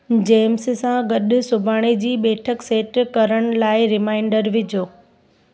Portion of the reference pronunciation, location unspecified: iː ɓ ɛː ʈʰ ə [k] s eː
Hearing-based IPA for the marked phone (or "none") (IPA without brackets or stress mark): k